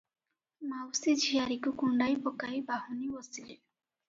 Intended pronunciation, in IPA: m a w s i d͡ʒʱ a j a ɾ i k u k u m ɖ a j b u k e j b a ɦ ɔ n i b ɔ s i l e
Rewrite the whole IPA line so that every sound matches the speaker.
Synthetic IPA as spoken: m a w s i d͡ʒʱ i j a ɾ i k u k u ɳ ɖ a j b ɔ k a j b a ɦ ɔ n i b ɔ s i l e